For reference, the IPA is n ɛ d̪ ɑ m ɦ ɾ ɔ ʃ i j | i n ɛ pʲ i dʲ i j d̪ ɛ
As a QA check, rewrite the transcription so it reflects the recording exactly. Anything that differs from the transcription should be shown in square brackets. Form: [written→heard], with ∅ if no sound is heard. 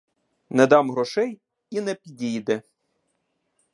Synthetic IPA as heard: n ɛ d̪ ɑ m ɦ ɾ ɔ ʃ [i→ɛ] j | i n ɛ pʲ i dʲ i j d̪ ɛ